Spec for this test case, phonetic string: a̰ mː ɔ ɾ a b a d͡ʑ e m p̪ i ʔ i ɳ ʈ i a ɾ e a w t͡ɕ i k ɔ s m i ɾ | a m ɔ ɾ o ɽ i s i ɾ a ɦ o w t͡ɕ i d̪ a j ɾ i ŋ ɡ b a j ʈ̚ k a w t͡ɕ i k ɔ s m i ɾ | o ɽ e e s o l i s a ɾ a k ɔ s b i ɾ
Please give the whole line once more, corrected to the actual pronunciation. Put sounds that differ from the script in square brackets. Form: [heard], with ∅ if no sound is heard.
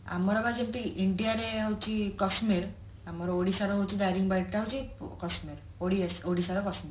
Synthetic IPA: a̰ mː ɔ ɾ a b a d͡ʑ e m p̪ i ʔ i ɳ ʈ i a ɾ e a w t͡ɕ i k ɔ s m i ɾ | a m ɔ ɾ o ɽ i s [a] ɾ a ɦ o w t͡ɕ i d̪ a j ɾ i ŋ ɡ b a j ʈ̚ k a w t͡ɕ i k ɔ s m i ɾ | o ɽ [i] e s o [ɽ] i s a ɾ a k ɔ s [m] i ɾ